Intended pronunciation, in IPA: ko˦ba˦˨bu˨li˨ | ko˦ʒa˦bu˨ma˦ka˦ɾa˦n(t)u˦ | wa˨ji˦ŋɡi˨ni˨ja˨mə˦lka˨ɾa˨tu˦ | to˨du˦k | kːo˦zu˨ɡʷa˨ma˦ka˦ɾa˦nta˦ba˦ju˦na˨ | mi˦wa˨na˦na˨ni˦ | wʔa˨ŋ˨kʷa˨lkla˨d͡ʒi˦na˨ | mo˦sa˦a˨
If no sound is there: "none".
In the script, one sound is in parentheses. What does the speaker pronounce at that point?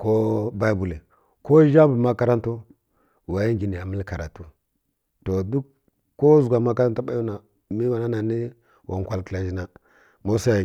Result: t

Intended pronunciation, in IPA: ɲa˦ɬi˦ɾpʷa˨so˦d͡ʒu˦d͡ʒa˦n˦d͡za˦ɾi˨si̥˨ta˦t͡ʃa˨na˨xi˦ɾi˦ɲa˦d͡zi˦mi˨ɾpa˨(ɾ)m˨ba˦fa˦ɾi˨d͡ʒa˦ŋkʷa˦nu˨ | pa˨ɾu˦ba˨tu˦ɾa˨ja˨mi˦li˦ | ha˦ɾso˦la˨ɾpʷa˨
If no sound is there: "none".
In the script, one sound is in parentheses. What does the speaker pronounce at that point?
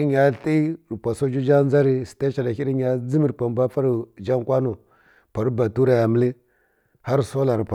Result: none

